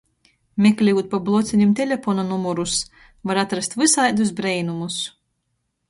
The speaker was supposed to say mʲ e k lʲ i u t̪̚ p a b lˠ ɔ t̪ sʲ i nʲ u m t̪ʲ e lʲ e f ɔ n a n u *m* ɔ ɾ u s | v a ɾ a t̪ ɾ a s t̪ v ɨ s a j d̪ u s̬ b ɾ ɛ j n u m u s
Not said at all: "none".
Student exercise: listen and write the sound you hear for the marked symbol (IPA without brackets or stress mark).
m